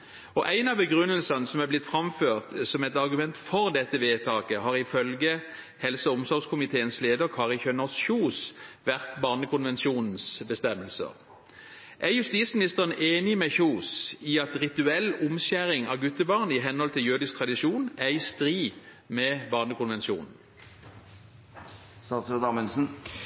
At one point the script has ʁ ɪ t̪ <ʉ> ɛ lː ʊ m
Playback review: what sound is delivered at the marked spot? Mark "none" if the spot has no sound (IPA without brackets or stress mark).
ʉ